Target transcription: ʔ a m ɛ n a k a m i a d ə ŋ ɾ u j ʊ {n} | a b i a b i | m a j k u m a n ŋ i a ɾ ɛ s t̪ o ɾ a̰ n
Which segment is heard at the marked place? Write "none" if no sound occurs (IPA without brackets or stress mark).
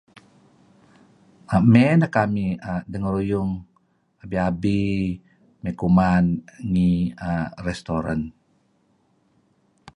ŋ